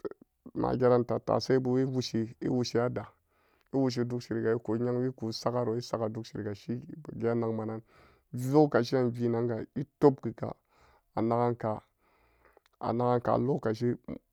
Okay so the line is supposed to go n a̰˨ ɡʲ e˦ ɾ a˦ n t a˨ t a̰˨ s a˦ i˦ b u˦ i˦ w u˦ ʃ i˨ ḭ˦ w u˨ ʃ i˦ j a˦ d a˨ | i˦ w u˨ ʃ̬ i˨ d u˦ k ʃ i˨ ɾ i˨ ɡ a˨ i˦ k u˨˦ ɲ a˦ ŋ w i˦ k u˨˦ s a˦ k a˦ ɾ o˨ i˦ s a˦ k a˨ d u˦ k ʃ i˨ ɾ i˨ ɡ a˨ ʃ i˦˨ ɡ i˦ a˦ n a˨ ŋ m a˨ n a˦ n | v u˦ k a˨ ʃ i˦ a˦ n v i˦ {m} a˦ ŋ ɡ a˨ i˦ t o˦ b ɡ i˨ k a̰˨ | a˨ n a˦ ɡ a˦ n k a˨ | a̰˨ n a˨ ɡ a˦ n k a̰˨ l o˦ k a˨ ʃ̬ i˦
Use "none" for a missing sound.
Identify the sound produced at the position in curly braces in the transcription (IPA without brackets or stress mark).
n